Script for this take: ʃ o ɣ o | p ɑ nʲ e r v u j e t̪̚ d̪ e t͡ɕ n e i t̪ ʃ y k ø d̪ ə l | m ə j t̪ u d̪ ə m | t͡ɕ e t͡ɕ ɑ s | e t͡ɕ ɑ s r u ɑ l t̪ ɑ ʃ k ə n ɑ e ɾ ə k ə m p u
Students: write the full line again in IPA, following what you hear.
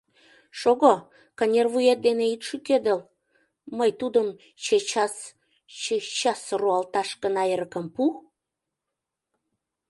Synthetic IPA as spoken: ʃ o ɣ o | k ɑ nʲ e r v u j e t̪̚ d̪ e n e i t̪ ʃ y k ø d̪ ə l | m ə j t̪ u d̪ ə m | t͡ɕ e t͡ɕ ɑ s | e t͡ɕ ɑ s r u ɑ l t̪ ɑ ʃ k ə n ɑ e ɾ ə k ə m p u